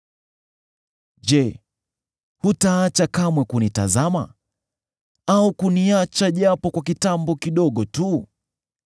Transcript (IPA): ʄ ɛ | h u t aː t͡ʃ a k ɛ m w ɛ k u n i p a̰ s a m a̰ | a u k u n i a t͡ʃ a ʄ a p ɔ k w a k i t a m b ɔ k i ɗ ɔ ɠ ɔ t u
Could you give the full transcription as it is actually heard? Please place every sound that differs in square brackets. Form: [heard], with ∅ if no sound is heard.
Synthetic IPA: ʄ ɛ | h u t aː t͡ʃ a k [a] m w ɛ k u n i [t] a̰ [z] a m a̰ | a u k u n i a t͡ʃ a ʄ a p ɔ k w a k i t a m b ɔ k i ɗ ɔ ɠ ɔ t u